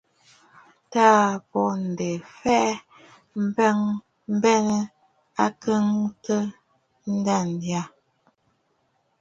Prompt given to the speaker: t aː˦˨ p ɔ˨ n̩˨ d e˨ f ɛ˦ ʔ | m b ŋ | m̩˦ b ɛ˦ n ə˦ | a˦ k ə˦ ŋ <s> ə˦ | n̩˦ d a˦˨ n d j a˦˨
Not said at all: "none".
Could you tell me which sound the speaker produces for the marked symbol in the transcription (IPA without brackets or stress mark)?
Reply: t